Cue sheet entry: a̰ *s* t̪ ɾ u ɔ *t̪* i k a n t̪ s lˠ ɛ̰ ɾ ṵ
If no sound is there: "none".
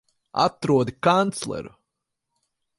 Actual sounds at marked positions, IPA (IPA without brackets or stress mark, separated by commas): none, d̪